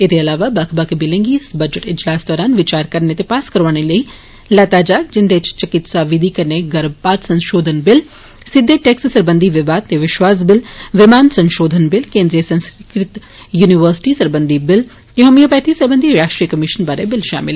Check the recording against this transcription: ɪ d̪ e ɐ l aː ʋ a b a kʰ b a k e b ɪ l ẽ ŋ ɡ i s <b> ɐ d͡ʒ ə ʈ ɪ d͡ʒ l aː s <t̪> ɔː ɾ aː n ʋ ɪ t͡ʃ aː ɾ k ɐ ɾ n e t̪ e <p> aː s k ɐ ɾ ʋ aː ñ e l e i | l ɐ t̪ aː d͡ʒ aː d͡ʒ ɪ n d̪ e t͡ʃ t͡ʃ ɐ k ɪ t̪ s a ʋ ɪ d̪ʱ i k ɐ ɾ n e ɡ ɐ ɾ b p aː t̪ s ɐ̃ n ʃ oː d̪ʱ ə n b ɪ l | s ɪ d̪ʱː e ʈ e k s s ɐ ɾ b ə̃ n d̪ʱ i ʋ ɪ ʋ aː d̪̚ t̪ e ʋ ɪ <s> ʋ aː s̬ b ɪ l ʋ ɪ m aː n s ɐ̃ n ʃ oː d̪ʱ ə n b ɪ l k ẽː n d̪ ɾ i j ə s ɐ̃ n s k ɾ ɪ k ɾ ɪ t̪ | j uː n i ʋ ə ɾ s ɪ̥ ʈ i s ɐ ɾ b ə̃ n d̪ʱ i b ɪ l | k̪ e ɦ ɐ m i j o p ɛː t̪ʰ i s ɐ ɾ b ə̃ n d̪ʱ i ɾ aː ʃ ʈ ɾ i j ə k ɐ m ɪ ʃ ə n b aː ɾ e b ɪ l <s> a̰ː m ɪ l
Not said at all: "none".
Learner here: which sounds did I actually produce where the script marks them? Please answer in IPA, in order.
b, d̪, p, ʃ, ʃ

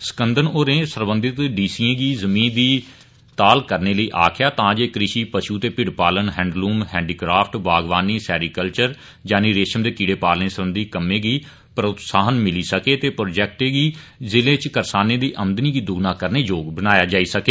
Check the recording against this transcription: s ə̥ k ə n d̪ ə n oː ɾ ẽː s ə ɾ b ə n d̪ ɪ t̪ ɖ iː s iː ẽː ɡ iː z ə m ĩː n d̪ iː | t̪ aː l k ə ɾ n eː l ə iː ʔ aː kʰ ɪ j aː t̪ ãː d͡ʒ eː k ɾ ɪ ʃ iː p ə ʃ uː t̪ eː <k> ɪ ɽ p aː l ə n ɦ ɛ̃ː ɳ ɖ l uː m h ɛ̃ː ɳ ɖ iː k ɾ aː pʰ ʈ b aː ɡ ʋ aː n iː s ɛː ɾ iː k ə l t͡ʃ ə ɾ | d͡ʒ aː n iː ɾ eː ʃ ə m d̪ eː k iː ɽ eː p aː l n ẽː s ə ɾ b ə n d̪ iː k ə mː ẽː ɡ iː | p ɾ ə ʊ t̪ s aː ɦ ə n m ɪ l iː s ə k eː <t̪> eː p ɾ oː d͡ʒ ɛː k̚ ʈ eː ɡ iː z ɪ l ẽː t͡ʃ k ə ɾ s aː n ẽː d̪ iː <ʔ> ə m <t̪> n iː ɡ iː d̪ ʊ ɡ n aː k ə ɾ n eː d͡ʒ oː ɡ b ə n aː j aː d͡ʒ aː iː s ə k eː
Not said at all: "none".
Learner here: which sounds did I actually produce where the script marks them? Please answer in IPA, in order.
p, t̪, ʔ, d̪

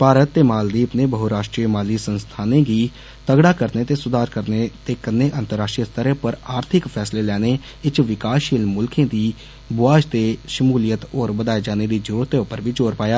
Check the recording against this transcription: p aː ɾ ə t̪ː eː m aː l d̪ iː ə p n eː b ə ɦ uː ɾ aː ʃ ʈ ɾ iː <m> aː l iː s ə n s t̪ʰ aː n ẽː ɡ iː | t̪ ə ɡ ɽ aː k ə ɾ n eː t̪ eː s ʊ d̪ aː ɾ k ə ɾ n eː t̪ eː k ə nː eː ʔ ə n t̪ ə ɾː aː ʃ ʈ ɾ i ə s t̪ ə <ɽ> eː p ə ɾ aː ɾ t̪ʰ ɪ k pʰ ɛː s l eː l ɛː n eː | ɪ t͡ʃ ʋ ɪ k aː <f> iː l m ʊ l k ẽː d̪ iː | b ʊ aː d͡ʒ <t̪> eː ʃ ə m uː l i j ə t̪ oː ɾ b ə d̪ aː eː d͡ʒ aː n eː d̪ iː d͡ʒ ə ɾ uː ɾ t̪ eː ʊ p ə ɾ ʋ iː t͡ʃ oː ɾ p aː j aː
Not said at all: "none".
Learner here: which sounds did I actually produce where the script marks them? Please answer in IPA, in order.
m, ɾ, ʃ, t̪

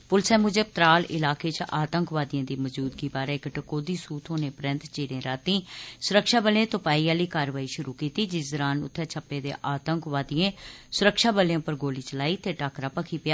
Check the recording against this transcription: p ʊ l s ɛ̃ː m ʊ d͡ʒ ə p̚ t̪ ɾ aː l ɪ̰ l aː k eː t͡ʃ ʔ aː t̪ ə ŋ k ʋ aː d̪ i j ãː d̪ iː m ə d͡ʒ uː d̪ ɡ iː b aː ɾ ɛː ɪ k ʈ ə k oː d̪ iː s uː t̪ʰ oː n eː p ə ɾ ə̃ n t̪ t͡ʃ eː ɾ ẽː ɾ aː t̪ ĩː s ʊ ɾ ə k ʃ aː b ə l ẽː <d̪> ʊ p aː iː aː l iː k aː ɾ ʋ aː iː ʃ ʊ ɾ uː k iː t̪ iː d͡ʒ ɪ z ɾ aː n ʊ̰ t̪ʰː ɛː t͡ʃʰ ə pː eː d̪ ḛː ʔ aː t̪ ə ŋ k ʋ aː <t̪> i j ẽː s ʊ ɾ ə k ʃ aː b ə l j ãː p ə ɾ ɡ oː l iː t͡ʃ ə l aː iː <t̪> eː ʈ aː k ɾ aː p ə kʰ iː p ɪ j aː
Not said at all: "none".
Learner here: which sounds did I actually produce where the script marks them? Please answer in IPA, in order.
t̪, d̪, t̪

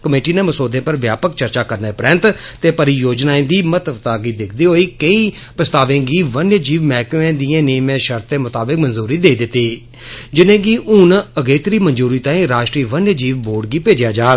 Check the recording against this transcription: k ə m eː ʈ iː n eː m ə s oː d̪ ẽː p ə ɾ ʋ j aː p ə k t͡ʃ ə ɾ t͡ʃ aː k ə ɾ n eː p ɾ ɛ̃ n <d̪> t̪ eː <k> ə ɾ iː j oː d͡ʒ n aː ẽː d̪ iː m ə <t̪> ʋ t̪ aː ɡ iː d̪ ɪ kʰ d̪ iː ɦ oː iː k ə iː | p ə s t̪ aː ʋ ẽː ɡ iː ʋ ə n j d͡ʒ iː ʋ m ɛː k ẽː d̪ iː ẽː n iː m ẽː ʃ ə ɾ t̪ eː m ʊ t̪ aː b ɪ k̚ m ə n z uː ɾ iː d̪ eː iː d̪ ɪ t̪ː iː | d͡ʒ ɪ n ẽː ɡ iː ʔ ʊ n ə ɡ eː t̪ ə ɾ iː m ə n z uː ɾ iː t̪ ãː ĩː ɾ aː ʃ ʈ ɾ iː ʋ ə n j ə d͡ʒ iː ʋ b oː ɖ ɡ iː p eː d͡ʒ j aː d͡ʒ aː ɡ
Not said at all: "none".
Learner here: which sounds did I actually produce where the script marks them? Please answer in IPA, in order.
t̪, p, t̪

